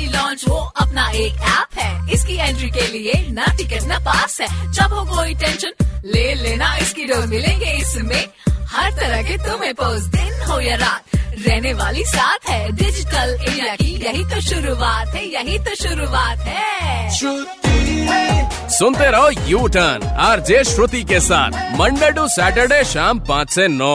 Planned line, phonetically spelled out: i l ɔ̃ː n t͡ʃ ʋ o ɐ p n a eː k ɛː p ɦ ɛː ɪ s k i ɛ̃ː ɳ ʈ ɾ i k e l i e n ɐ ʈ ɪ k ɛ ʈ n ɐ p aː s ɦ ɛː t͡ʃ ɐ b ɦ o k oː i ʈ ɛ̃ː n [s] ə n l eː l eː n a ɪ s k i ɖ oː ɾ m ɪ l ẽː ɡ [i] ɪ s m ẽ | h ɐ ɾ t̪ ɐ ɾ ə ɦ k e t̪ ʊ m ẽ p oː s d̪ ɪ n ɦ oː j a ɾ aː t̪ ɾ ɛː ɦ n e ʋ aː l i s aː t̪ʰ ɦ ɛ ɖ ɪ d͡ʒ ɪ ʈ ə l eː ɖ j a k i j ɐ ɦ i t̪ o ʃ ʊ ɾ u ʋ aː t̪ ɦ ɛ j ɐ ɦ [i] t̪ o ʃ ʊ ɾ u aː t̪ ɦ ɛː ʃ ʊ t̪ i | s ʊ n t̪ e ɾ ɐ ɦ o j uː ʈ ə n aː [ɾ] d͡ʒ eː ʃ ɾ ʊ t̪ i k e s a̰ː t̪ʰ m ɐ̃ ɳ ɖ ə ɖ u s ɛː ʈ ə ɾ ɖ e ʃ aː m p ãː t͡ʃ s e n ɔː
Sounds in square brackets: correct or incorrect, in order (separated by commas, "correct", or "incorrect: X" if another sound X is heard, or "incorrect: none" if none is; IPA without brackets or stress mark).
incorrect: ʃ, incorrect: e, correct, correct